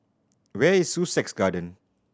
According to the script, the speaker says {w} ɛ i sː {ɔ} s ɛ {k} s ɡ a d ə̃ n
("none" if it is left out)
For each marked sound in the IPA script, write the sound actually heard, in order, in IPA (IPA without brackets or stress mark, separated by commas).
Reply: w, u, k